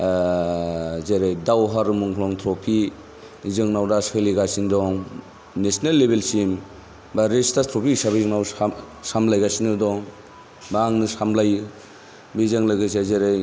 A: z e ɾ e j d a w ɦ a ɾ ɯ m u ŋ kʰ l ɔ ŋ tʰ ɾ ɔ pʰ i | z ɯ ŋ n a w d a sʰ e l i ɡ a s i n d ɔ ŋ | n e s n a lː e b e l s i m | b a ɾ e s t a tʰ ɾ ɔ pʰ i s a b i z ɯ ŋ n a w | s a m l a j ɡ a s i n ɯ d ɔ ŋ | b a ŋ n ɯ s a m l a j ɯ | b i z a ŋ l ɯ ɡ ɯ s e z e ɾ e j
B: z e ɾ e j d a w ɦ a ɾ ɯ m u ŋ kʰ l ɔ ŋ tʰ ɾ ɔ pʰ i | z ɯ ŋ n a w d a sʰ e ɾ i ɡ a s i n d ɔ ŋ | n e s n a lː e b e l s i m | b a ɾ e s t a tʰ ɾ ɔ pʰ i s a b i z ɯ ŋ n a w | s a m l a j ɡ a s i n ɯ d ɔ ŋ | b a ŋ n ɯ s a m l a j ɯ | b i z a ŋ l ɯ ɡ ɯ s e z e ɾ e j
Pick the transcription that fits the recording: A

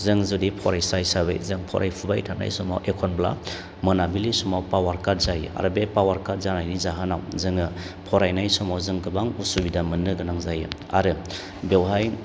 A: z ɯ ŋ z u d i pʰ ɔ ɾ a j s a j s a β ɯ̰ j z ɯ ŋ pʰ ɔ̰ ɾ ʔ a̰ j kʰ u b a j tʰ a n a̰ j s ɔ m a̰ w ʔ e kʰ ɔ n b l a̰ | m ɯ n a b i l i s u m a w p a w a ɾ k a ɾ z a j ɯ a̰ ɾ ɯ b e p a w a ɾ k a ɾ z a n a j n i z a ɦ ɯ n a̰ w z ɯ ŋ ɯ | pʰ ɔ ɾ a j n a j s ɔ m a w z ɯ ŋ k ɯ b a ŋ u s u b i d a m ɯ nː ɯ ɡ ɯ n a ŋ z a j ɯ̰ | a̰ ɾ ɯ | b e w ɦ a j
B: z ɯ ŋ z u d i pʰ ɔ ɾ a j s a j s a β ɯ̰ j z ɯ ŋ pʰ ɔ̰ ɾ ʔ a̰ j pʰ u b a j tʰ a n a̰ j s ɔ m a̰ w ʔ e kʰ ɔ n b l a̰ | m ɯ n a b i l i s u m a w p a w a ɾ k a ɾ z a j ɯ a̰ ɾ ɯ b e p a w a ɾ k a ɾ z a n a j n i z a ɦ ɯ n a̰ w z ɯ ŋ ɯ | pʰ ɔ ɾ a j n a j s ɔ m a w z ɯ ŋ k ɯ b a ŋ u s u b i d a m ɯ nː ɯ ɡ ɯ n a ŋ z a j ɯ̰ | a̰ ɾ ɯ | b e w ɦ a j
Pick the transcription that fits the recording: B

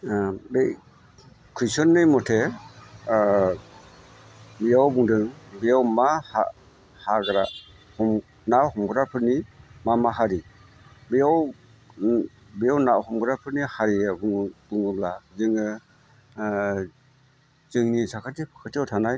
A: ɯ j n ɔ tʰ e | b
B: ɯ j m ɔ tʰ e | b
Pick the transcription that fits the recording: B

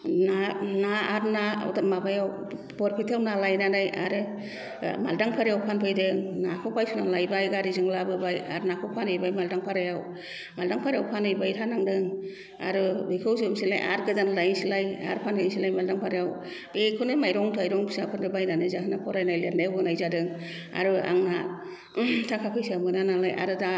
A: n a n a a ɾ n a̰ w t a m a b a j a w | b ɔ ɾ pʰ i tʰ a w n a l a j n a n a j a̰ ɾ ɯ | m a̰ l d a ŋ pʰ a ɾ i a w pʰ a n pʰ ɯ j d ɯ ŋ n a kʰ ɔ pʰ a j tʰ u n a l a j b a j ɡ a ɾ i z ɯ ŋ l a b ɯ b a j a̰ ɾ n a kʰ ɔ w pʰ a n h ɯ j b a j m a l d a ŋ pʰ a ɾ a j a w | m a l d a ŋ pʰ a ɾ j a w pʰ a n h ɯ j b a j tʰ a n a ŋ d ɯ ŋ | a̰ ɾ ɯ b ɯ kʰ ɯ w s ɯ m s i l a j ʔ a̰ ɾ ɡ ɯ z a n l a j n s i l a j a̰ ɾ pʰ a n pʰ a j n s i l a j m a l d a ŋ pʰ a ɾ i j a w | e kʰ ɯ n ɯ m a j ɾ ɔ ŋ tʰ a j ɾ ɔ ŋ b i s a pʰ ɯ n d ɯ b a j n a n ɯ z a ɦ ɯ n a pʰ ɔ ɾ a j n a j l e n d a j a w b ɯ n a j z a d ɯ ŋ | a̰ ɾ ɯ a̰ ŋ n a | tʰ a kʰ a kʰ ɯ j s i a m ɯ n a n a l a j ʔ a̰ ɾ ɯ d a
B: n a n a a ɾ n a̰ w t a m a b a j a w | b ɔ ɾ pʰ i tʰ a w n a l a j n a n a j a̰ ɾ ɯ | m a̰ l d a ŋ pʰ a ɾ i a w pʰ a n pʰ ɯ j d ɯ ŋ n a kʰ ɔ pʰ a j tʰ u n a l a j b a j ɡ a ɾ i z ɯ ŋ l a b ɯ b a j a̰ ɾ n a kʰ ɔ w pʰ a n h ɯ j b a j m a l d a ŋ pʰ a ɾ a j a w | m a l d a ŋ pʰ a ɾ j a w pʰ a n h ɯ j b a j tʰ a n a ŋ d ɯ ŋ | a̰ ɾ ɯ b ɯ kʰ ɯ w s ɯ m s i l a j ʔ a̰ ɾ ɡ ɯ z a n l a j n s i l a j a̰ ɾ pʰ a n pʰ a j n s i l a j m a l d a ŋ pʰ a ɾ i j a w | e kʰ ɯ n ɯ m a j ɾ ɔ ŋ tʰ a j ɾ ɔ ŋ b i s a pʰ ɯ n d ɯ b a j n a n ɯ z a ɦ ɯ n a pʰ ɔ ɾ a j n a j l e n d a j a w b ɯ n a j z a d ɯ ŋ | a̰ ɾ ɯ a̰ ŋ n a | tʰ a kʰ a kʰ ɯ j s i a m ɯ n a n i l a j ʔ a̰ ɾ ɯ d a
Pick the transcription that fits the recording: A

